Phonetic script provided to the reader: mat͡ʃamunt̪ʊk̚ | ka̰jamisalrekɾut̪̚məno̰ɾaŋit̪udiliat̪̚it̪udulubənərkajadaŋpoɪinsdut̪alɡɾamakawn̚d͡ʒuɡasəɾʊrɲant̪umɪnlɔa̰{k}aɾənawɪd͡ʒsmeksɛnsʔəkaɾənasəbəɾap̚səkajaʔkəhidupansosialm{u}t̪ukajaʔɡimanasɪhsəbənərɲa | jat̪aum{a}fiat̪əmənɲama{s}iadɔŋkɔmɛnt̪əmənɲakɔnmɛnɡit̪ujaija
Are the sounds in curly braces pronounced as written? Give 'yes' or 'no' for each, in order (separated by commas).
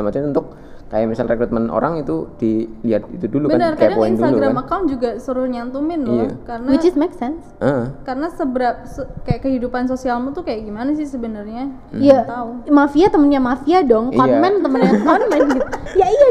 yes, yes, yes, no